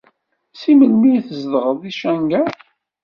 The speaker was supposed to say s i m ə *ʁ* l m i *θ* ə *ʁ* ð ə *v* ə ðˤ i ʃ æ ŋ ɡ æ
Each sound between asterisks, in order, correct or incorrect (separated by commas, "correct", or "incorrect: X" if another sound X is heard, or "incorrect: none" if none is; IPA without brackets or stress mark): incorrect: none, correct, incorrect: z, incorrect: ʁ